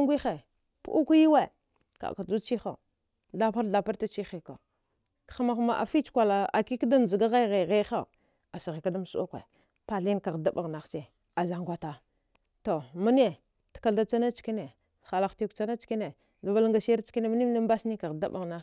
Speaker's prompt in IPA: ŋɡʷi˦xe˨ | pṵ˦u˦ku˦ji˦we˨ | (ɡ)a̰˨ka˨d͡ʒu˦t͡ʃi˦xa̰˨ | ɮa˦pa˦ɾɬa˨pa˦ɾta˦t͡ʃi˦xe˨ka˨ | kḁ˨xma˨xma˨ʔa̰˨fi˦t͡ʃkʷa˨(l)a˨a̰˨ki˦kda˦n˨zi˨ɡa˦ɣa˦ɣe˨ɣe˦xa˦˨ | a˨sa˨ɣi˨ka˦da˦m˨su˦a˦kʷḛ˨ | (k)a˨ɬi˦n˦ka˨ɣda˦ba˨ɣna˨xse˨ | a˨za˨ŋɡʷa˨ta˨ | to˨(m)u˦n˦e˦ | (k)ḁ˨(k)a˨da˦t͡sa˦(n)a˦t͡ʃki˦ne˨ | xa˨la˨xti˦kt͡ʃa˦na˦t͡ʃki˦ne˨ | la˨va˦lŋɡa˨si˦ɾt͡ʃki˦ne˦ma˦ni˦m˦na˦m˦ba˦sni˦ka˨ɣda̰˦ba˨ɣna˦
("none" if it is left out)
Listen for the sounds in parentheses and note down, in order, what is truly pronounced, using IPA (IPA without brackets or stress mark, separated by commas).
k, l, p, m, t, k, n